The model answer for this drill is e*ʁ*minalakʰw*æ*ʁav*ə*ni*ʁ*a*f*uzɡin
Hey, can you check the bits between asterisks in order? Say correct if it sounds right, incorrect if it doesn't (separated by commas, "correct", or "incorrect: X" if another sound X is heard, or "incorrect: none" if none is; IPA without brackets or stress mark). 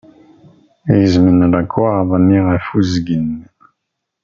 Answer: incorrect: z, incorrect: a, incorrect: a, correct, correct